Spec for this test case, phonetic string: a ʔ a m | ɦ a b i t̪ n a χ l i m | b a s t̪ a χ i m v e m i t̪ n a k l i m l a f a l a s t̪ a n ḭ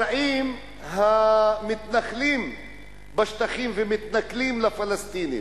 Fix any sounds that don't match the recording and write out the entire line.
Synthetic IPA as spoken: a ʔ i m | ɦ a m i t̪ n a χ l i m | b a ʃ t̪ a χ i m v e m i t̪ n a k l i m l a f a l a s t̪ i n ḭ